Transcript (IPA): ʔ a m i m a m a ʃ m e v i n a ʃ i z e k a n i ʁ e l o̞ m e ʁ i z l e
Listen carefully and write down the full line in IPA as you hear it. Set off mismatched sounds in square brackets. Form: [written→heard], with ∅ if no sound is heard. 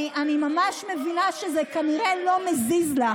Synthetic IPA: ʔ a [m→n] i m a m a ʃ m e v i n a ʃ [i→e] z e k a n i ʁ e l o̞ m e [ʁ→z] i z l [e→a]

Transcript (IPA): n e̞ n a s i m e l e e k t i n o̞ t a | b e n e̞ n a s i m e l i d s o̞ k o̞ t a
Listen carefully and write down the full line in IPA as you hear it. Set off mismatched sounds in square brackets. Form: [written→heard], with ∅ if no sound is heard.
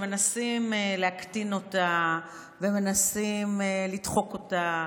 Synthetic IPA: [n→m] e̞ n a s i m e l e [e→a] k t i n o̞ t a | [b→v] e [n→m] e̞ n a s i m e l i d [s→χ] o̞ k o̞ t a

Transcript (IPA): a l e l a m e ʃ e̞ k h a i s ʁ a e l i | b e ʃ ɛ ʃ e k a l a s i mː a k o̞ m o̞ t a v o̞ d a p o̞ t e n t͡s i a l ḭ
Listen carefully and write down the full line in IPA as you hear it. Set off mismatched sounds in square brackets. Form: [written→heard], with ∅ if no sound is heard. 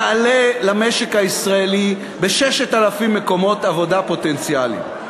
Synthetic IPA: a l e l a m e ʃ e̞ k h a i s ʁ a e l i | b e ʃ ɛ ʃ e [k→t] a l a [s→f] i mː [a→e] k o̞ m o̞ t a v o̞ d a p o̞ t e n t͡s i a l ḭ

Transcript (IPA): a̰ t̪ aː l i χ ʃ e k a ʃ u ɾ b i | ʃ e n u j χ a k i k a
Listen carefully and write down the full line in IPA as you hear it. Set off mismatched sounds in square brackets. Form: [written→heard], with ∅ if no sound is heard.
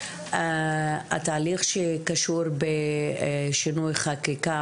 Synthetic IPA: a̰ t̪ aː l i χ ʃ e k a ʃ u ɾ b [i→e] | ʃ [e→i] n u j χ a k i k a

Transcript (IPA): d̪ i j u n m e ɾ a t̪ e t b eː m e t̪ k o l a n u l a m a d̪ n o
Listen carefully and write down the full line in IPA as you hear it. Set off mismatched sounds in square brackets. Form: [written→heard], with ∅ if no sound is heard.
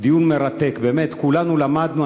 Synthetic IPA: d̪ i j u n m e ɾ a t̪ e [t→k] b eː m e t̪ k [o→u] l a n u l a m a d̪ n [o→u]

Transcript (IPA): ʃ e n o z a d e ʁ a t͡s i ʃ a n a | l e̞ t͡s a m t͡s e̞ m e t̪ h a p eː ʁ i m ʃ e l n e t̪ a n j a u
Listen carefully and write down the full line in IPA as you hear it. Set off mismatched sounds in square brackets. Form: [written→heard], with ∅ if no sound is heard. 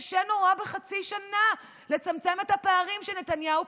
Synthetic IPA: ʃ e n o [z→ʁ] a [d→b] e [ʁ→χ] a t͡s i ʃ a n a | l e̞ t͡s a m t͡s e̞ m e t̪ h a p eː ʁ i m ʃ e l n e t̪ a n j a u

